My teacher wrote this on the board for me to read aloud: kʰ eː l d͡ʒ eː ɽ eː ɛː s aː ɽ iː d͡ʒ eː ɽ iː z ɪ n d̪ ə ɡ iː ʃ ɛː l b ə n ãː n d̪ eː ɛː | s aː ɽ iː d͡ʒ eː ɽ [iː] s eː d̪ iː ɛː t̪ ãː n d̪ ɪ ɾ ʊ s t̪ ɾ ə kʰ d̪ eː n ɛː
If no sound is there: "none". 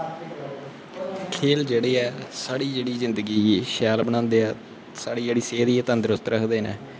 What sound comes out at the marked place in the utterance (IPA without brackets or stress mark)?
iː